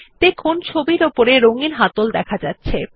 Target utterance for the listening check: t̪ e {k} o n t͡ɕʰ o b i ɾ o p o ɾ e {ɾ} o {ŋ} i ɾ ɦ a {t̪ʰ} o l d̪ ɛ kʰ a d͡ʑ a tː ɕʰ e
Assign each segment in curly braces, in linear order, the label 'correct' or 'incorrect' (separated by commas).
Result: incorrect, correct, correct, incorrect